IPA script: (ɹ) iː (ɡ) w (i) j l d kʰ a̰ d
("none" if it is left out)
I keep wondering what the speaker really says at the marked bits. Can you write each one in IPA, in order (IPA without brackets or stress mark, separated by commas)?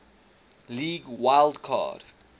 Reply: l, ɡ, a